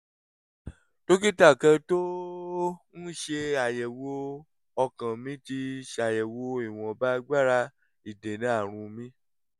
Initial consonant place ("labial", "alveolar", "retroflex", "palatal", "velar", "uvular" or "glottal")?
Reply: alveolar